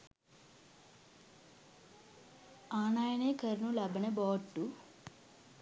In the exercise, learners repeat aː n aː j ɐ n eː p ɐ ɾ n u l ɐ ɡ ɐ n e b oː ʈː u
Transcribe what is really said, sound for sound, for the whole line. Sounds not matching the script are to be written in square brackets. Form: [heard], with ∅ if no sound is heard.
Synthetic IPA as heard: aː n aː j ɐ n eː [k] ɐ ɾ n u l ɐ [b] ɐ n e b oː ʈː u